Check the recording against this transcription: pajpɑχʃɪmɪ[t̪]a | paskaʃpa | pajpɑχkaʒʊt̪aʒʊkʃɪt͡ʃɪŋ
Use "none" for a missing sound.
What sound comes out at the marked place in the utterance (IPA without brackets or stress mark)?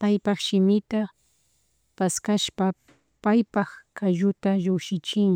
t̪